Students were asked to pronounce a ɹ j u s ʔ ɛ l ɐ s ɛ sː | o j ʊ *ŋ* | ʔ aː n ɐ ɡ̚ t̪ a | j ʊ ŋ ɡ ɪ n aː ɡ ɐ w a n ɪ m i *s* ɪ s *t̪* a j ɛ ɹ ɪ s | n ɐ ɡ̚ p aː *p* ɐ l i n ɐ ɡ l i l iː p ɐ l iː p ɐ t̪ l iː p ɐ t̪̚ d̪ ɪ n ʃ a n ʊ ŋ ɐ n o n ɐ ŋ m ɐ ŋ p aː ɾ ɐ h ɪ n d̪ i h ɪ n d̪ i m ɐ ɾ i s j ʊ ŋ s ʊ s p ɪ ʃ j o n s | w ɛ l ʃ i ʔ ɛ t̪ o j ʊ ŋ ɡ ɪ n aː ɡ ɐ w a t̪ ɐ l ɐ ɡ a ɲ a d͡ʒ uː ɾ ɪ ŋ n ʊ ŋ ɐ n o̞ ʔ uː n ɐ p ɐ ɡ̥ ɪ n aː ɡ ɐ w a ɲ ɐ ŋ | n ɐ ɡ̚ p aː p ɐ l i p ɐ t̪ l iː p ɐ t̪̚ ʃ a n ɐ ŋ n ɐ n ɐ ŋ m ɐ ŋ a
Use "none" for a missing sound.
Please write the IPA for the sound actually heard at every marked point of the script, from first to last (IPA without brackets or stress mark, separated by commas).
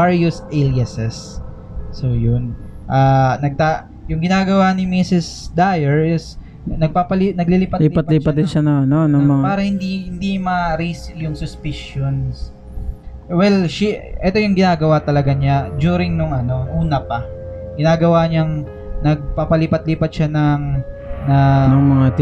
n, s, d̪, p